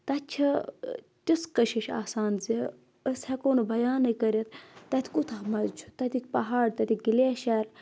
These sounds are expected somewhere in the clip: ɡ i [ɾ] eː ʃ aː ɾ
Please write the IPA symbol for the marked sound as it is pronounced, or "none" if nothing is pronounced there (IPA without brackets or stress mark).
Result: l